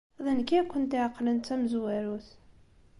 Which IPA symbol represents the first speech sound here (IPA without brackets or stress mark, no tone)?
ð